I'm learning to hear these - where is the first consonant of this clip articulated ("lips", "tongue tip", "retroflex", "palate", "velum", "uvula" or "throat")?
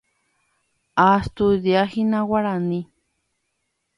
tongue tip